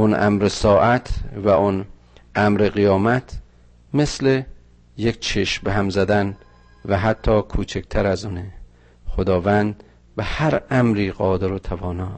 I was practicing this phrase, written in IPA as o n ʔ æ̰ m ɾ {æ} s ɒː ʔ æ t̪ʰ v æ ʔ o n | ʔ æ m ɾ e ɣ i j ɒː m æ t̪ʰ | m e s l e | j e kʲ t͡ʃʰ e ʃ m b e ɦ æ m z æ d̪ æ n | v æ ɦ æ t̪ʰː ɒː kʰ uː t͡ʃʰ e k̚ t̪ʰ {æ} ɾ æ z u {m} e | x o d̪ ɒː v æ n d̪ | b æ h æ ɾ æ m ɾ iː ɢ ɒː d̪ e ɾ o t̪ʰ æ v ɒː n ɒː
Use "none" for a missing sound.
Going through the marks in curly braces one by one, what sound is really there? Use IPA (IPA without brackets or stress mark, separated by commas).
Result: e, æ, n